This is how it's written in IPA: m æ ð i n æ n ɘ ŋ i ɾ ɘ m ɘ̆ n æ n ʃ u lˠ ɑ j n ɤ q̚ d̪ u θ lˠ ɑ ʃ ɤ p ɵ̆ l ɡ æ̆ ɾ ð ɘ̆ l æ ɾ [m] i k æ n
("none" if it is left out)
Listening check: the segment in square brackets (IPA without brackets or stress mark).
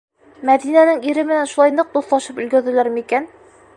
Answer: m